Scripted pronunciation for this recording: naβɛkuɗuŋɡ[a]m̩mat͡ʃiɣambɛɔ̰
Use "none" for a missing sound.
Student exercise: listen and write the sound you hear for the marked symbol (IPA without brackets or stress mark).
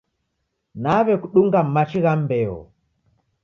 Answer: a